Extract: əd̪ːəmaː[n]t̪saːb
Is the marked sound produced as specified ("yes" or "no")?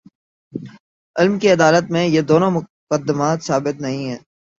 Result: no